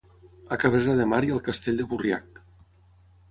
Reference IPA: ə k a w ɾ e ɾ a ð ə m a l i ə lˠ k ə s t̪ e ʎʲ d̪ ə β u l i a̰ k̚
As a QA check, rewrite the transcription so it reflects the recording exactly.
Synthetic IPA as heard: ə k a β ɾ e ɾ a ð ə m a ɾ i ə lˠ k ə s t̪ e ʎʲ d̪ ə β u r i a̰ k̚